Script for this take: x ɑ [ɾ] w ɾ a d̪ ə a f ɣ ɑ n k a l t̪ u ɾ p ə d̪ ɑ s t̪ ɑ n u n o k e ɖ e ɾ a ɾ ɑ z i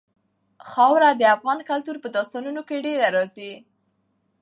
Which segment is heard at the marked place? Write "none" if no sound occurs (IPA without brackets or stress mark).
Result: none